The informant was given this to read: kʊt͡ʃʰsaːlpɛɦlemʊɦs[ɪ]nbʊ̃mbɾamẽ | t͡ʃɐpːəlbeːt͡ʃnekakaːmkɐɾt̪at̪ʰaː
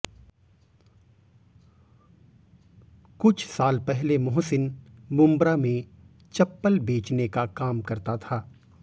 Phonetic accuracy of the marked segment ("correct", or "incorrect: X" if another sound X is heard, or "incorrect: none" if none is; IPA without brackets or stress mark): correct